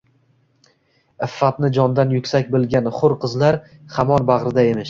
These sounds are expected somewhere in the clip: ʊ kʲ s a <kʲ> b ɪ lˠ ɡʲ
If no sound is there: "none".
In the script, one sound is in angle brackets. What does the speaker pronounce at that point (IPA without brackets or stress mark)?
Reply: kʲ